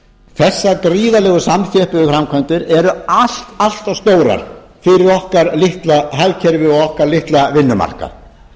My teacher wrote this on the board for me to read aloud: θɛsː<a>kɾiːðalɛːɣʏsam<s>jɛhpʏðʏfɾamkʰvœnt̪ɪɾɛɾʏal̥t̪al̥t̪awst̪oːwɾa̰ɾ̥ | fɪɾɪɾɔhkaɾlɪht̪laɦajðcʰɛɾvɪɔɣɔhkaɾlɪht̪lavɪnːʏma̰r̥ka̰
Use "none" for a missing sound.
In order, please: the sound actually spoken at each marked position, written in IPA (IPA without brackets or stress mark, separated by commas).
a, θ